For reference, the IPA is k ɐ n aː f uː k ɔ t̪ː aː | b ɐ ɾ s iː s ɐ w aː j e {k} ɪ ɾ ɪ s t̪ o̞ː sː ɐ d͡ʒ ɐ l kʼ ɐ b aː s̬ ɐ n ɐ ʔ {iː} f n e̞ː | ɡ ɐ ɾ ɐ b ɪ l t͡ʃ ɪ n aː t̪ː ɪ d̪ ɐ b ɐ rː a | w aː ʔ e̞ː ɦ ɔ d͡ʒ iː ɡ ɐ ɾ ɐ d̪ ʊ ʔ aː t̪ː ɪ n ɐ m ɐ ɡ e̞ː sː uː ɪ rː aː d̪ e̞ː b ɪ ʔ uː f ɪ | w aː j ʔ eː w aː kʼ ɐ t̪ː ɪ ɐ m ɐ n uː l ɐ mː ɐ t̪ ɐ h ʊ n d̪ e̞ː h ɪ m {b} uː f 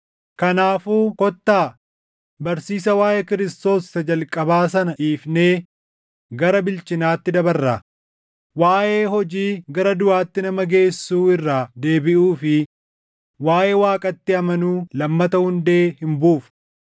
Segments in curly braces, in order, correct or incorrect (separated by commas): correct, correct, correct